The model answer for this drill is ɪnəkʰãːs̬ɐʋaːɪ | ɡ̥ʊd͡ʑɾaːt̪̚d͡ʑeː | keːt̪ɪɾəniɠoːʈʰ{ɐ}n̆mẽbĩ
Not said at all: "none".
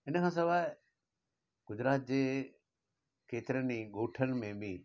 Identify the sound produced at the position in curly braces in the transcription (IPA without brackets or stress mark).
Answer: ə